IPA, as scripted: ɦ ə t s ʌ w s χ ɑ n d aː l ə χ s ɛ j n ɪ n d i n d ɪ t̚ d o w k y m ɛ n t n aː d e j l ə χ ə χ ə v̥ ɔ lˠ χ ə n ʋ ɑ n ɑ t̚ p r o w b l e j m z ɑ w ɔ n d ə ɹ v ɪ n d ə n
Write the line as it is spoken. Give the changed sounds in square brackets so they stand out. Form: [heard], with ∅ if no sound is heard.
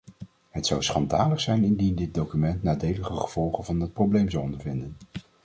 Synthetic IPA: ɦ ə t s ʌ w s χ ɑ n d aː l ə χ s ɛ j n ɪ n d i n d ɪ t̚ d o w k y m ɛ n t n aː d e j l ə χ ə χ ə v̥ ɔ lˠ χ ə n [v] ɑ n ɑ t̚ p r o w b l e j m z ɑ w ɔ n d ə ɹ v ɪ n d ə n